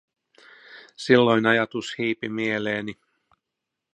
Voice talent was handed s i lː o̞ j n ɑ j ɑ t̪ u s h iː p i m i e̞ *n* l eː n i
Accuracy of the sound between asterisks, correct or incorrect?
incorrect: none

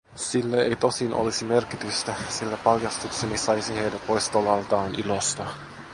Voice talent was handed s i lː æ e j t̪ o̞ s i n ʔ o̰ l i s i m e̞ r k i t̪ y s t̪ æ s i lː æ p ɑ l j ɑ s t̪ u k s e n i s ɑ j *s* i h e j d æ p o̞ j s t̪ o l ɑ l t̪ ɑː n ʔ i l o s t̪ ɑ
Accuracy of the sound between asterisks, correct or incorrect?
correct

